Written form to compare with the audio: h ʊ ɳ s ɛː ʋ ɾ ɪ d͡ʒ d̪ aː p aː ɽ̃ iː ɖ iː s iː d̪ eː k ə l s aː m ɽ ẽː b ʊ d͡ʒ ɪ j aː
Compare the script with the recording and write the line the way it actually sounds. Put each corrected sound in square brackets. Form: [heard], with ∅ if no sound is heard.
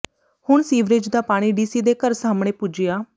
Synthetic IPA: h ʊ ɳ s [iː] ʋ ɾ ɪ d͡ʒ d̪ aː p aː ɽ̃ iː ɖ iː s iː d̪ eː k ə [ɾ] s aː m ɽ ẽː [p] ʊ d͡ʒ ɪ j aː